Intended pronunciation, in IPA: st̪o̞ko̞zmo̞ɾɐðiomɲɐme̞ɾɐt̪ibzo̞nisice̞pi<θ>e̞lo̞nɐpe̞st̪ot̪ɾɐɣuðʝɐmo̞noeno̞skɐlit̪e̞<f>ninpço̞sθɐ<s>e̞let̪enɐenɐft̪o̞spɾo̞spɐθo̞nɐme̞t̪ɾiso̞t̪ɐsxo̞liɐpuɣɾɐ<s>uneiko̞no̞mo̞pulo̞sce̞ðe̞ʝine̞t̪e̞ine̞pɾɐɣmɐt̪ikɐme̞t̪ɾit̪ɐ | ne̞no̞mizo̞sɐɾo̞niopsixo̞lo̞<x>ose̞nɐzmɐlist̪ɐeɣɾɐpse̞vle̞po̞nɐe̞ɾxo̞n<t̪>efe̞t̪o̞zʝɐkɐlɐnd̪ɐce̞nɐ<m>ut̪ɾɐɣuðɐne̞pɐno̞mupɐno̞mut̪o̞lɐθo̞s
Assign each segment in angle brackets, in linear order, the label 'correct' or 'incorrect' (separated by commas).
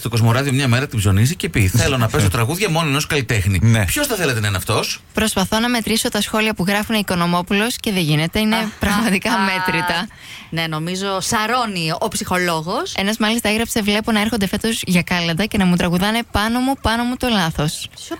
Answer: correct, incorrect, incorrect, incorrect, incorrect, incorrect, correct